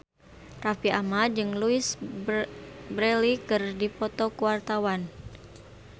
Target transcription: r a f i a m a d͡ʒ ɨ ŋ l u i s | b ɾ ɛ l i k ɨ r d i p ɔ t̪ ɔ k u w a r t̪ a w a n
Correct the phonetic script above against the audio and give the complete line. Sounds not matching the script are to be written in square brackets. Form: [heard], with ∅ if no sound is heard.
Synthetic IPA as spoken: r a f i a m a d͡ʒ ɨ ŋ l u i s | b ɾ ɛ l i k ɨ r d i p ɔ t̪ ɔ k u w a r t̪ a w a n